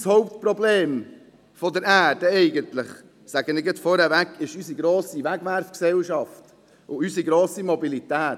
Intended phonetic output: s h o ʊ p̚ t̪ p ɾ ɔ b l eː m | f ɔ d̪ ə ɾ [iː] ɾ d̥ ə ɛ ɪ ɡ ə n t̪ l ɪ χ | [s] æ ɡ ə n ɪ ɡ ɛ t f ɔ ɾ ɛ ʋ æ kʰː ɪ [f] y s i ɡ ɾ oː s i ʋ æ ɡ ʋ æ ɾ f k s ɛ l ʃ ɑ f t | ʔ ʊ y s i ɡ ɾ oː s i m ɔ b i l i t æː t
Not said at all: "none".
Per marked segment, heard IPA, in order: æː, s, ʃ

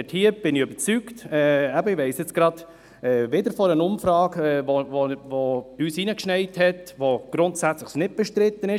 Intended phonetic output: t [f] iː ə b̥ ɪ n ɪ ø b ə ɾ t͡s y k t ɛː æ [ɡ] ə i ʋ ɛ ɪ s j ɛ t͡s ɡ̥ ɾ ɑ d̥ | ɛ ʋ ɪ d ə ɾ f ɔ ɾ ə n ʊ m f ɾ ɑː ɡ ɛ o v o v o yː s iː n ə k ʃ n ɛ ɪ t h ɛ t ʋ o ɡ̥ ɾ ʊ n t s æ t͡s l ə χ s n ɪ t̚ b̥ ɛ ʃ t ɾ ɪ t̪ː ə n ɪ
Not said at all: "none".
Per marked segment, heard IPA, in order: h, b

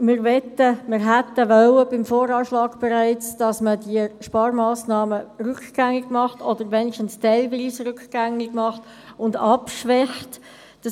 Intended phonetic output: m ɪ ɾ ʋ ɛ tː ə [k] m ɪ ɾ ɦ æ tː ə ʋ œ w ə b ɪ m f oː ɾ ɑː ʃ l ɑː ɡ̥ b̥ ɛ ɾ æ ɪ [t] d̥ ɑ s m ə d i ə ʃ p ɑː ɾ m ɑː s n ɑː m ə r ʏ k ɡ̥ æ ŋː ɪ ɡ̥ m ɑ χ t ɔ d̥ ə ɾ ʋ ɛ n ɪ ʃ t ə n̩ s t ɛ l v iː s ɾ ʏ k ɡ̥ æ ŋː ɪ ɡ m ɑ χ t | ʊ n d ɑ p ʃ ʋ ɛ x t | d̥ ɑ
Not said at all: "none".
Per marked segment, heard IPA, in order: none, t͡s

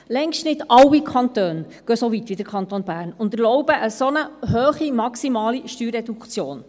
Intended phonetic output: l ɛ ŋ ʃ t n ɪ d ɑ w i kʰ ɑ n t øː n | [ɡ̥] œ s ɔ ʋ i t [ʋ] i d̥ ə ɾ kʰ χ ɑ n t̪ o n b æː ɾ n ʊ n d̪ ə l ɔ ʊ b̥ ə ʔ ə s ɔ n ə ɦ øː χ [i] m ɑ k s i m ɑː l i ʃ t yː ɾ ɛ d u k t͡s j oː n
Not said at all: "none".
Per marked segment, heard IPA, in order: ɡ̥, ʋ, i

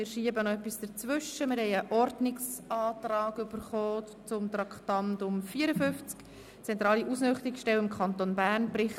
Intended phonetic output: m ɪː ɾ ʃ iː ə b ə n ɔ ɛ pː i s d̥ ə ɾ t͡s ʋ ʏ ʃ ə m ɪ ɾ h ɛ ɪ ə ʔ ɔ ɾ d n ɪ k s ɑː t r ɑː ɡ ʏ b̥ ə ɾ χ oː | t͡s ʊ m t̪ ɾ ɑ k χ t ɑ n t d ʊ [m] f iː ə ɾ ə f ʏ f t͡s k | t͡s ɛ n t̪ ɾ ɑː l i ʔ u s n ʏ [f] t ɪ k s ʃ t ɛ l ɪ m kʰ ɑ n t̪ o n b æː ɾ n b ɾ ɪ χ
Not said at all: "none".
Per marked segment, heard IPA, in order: m, χ

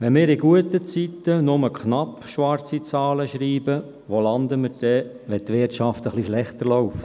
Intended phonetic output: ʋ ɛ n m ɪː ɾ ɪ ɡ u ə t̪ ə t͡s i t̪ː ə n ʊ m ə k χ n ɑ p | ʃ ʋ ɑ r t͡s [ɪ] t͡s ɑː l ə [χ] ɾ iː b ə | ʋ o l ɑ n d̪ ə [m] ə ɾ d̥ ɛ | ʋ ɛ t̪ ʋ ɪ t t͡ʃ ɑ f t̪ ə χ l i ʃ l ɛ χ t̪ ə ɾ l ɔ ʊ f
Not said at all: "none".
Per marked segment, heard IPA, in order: i, ʃ, m

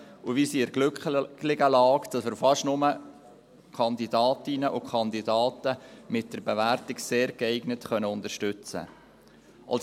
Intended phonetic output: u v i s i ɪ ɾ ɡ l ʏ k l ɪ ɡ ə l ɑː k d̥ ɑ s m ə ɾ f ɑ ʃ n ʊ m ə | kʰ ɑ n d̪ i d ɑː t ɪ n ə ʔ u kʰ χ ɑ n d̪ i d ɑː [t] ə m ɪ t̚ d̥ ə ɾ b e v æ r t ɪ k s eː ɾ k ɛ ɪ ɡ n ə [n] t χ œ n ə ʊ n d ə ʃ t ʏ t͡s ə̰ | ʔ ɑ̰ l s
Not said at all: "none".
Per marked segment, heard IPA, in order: t, none

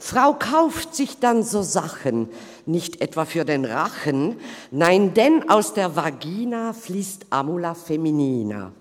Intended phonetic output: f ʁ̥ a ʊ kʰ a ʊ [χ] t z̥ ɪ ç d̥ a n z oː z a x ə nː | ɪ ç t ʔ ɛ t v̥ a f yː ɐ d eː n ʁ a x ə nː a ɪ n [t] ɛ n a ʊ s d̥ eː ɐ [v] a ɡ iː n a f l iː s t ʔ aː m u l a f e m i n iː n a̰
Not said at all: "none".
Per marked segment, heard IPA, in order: f, d, v

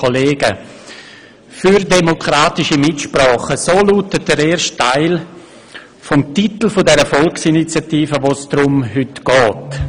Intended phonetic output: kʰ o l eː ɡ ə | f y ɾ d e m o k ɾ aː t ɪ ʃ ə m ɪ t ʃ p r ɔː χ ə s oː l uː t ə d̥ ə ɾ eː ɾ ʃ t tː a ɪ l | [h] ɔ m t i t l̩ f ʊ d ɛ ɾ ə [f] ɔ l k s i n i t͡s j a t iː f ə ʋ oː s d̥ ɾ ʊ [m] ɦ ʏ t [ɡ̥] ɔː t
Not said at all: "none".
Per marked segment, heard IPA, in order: f, f, m, ɡ̥

